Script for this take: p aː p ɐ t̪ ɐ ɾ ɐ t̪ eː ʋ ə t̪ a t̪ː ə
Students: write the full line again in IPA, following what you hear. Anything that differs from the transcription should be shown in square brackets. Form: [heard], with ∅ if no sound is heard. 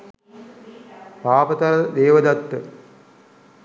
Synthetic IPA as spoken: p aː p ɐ t̪ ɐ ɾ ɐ [d̪] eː ʋ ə [d̪] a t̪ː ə